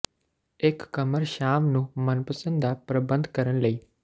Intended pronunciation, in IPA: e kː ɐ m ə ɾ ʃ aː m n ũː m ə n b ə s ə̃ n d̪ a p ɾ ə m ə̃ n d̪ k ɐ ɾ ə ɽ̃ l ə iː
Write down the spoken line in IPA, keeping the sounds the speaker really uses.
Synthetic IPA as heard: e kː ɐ m ə ɾ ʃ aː m n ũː m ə n p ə s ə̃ n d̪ a p ɾ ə b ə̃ n d̪ k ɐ ɾ ə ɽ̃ l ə iː